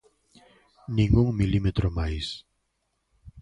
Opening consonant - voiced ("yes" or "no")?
yes